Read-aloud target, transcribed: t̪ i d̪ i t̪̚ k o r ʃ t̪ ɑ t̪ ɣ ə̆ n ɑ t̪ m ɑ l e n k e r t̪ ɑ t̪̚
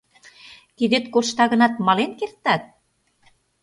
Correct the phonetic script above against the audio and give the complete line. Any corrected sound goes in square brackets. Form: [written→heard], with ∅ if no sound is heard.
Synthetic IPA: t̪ i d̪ [i→e] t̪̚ k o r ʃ t̪ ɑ [t̪→∅] ɣ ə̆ n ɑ t̪ m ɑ l e n k e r t̪ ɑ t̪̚